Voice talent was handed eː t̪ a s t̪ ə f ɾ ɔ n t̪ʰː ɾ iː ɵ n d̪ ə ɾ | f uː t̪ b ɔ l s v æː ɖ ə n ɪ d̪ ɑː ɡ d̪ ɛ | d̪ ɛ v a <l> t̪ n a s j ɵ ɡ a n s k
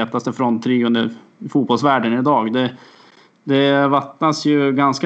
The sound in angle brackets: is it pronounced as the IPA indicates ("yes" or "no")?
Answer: no